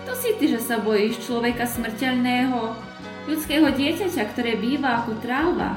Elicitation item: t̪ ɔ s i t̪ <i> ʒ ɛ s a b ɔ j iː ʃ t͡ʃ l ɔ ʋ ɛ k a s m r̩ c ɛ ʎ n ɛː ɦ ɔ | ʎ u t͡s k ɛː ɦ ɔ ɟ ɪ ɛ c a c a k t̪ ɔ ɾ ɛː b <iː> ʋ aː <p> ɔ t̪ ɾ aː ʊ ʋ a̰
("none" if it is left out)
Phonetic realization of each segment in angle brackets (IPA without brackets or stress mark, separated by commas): i, iː, k